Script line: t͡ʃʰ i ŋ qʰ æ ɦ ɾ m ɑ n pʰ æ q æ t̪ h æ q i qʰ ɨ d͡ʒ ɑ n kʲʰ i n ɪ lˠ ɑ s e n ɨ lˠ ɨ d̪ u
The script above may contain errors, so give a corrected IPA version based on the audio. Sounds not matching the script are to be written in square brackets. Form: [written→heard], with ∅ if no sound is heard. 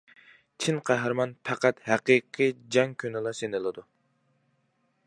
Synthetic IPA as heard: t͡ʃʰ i [ŋ→n] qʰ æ ɦ ɾ m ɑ n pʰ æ q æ t̪ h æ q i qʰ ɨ d͡ʒ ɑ [n→ŋ] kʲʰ [i→y] n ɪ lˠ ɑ s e n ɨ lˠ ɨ d̪ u